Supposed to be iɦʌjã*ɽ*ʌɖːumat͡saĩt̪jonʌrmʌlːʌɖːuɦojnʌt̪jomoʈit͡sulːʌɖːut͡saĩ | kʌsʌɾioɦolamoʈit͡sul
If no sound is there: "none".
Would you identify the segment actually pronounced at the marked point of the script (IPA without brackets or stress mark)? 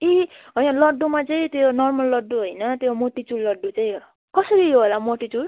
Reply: l